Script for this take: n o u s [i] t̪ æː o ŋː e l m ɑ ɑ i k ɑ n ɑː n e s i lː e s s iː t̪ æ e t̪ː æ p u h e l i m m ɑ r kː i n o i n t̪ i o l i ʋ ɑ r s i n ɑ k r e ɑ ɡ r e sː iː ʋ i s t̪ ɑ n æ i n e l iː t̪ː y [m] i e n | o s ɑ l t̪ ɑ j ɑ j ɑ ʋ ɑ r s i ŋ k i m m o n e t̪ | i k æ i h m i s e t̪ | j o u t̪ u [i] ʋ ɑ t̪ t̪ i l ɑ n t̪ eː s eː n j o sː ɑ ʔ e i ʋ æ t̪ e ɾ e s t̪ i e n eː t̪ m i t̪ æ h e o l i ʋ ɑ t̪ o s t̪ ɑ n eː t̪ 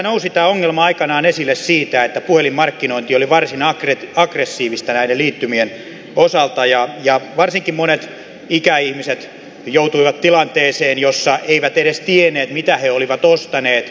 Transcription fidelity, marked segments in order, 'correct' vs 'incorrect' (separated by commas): correct, correct, correct